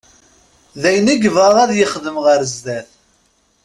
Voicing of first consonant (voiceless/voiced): voiced